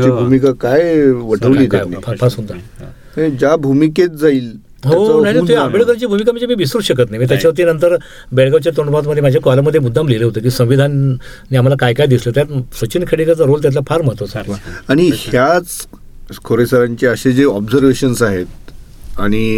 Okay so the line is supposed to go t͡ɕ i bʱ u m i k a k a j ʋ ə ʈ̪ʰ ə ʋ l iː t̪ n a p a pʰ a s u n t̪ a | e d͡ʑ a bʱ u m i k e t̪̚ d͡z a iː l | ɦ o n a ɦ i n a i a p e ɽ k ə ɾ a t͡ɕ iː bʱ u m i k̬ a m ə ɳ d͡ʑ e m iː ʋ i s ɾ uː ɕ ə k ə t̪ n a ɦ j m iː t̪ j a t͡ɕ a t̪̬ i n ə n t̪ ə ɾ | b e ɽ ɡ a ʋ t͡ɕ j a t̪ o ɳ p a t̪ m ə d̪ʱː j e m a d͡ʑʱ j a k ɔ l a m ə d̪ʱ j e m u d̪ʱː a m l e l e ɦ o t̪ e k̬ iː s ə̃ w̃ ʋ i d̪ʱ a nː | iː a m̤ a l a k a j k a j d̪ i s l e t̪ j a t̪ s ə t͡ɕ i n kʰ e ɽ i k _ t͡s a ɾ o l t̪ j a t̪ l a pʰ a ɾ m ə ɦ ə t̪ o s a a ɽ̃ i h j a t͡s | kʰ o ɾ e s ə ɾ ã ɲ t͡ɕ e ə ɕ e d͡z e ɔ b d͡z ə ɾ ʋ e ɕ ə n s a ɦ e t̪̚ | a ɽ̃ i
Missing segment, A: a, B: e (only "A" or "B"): A